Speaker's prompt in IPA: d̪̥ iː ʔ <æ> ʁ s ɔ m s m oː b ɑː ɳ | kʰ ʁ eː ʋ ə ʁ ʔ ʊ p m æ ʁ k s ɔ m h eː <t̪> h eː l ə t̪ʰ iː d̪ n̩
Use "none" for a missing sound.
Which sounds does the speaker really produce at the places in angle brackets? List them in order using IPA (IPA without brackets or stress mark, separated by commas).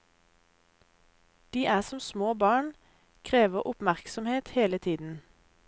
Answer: æː, t̪